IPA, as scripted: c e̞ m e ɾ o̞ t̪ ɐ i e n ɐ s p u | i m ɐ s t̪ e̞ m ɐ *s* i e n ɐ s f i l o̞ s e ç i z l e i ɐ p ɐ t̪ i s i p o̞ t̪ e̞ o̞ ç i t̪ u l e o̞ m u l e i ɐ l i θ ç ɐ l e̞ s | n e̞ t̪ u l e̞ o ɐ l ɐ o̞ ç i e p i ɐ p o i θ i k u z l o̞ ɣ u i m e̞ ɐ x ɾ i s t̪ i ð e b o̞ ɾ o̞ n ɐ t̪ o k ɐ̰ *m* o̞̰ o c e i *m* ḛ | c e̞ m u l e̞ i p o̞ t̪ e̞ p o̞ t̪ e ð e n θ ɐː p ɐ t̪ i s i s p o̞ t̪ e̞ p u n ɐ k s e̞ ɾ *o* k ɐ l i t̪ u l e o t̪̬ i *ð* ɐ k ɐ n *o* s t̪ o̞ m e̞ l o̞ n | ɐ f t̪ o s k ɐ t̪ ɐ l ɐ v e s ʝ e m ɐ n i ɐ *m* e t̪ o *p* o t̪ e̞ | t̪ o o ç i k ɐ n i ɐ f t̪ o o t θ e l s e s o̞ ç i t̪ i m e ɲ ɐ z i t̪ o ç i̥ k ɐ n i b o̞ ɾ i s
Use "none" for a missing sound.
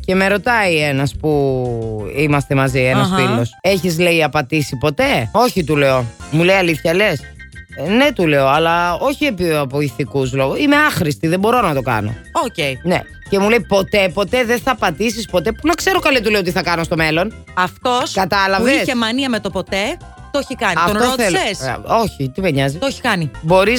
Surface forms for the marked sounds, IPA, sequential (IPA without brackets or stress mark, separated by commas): z, n, n, o, θ, o, m, p